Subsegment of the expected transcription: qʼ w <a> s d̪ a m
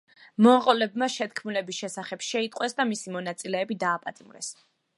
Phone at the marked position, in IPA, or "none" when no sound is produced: ɛ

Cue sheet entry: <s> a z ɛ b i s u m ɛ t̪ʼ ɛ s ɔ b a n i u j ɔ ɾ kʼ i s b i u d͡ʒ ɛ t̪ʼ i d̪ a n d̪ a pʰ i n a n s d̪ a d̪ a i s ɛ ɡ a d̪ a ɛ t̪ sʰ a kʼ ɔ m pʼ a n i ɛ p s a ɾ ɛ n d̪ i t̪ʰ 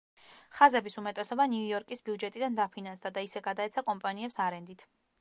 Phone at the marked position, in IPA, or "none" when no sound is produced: χ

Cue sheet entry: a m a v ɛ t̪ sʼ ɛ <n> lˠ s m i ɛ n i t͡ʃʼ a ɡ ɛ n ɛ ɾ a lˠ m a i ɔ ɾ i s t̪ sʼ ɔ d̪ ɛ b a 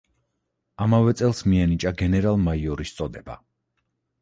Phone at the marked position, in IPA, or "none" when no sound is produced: none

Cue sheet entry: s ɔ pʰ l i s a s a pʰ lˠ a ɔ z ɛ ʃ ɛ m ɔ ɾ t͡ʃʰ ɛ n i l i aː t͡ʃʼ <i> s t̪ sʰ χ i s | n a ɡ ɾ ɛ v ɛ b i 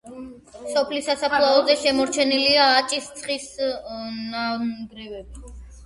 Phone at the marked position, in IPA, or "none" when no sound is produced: i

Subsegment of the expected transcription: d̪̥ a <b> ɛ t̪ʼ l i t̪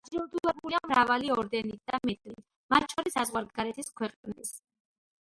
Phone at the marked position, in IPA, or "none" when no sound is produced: m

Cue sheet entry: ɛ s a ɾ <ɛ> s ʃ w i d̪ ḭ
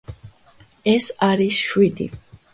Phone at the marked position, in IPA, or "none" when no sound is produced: i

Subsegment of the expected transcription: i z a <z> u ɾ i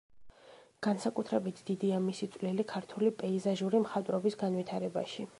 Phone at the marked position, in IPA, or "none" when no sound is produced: ʒ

